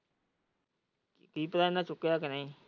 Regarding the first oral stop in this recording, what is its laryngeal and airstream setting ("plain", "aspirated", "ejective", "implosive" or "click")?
plain